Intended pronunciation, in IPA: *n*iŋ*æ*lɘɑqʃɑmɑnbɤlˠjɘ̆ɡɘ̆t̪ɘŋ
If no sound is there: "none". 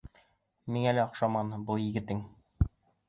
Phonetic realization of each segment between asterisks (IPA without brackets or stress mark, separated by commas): m, æ